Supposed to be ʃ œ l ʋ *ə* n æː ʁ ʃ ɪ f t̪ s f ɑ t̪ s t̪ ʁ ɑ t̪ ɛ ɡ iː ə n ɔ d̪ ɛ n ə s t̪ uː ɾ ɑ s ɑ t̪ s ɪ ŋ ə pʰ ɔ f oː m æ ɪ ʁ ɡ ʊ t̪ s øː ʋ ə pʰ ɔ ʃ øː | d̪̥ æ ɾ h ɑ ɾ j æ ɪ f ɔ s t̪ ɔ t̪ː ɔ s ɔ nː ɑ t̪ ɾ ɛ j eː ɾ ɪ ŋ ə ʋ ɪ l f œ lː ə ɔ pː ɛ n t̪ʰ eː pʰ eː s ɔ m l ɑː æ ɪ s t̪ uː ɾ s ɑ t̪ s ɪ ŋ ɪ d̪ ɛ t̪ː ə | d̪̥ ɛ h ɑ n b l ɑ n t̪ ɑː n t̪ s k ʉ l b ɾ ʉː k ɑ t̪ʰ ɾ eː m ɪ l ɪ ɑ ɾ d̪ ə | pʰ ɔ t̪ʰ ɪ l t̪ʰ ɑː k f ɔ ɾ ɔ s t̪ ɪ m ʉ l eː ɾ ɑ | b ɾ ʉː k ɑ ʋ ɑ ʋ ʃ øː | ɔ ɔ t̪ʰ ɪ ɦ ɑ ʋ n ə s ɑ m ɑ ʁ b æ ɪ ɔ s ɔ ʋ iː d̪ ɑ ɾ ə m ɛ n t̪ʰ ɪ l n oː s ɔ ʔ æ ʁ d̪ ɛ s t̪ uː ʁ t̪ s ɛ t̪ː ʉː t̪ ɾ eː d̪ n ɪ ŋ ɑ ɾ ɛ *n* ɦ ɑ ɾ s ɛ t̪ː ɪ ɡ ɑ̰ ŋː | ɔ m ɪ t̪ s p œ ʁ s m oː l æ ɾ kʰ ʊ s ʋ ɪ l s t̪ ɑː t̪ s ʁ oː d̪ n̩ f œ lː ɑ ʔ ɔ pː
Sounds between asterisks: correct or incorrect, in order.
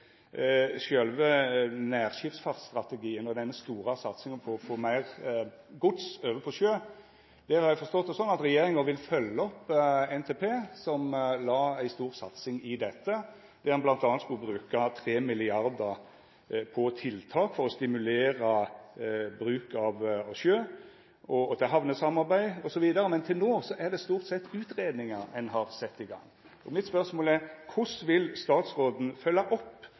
correct, correct

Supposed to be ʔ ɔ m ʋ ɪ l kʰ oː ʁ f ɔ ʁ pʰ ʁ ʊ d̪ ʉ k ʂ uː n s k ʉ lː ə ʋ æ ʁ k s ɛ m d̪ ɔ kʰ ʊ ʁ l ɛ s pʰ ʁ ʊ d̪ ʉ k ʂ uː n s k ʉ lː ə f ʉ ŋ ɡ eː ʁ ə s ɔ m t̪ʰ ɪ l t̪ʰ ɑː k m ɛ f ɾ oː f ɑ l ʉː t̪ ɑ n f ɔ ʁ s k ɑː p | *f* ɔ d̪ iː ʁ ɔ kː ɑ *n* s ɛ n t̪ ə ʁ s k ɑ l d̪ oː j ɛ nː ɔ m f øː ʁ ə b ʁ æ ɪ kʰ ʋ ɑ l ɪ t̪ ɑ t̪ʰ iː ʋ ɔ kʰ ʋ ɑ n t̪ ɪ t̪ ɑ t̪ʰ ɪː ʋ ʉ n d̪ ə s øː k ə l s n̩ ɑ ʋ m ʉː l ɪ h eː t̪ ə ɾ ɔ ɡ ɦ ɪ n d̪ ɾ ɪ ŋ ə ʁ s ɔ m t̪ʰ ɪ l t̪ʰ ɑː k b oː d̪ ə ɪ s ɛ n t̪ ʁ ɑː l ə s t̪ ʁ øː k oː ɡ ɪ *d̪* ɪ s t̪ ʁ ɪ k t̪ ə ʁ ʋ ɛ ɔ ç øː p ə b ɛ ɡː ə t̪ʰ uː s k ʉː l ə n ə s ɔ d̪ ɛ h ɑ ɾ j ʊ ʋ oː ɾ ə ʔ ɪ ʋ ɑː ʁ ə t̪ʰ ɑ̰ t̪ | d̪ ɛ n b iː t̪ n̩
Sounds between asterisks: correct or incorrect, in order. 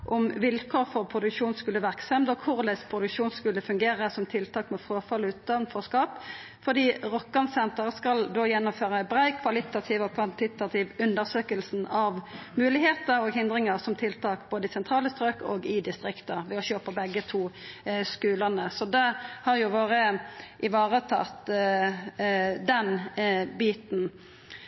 correct, correct, correct

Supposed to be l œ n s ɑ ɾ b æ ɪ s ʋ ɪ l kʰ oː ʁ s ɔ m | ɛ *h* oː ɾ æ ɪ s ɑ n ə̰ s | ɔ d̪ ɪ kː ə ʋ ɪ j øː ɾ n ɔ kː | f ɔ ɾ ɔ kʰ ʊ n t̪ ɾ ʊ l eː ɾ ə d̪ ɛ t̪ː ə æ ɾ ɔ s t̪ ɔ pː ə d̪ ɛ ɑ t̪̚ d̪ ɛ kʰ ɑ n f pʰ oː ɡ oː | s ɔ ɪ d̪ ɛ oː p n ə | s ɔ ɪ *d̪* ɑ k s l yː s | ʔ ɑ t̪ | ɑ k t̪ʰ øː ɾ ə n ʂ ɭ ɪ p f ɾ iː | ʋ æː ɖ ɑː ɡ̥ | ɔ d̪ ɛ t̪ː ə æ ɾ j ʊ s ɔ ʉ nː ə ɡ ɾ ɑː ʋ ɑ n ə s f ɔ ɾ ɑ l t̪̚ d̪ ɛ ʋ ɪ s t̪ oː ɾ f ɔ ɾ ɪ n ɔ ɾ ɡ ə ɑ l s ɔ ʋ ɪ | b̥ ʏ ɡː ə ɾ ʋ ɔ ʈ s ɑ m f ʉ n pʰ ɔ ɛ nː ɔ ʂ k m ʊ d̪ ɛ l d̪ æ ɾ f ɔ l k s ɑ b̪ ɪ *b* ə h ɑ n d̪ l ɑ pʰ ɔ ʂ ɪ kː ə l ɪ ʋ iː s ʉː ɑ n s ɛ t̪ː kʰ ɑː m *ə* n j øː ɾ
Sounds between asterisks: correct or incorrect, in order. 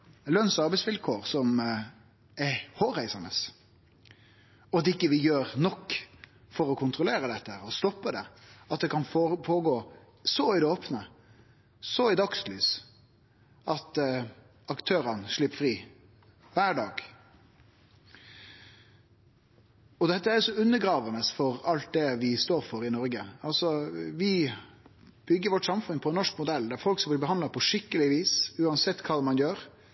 correct, correct, correct, incorrect: ɑ

